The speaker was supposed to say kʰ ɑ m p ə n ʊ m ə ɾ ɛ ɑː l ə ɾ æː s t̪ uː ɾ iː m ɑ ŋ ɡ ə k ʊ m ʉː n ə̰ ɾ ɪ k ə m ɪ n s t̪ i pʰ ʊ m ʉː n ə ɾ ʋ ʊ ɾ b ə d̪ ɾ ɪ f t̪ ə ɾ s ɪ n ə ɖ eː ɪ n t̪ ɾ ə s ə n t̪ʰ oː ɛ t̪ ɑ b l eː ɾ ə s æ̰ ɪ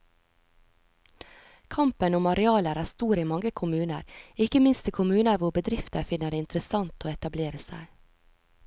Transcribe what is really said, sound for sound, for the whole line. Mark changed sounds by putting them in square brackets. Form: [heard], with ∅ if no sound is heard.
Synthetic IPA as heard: kʰ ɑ m p ə n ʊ m [ɑ] ɾ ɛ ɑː l ə ɾ æː s t̪ uː ɾ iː m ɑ ŋ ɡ ə [kʰ] ʊ m ʉː n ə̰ ɾ ɪ k ə m ɪ n s t̪ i [kʰ] ʊ m ʉː n ə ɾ ʋ ʊ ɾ b ə d̪ ɾ ɪ f t̪ ə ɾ [f] ɪ n ə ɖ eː ɪ n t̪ ɾ ə s [ɑ] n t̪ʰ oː ɛ t̪ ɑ b l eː ɾ ə s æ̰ ɪ